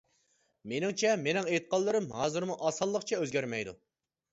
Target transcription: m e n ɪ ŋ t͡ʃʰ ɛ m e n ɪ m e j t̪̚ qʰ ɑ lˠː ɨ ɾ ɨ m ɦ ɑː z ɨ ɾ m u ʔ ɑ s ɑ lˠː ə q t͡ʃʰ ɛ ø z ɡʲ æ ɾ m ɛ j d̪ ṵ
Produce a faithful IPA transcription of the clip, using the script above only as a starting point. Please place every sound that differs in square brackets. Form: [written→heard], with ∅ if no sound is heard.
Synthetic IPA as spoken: m e n ɪ ŋ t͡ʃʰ ɛ m e n ɪ [m→ŋ] e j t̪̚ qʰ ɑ lˠː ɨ ɾ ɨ m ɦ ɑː z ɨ ɾ m u ʔ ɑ s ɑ lˠː ə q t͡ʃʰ ɛ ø z ɡʲ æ ɾ m ɛ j d̪ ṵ